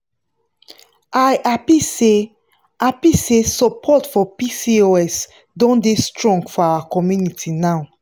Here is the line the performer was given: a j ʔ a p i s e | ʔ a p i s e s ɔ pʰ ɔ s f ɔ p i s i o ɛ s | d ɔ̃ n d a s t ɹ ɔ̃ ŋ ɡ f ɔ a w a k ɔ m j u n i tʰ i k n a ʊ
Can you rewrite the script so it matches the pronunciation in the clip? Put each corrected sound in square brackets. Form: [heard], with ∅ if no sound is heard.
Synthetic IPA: a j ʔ a p i s e | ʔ a p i s e s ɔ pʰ ɔ [t] f ɔ p i s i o ɛ s | d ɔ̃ n d [e] s t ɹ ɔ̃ ŋ ɡ f ɔ a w a k ɔ m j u n i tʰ i [∅] n a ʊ